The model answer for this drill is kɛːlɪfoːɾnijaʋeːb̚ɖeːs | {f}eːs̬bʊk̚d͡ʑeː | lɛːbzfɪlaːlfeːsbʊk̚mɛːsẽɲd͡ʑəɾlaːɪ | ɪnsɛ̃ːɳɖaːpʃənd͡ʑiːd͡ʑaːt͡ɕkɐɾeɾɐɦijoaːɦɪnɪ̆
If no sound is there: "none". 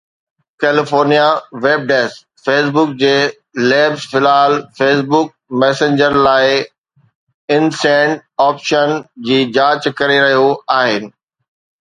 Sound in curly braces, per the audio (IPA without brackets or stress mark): f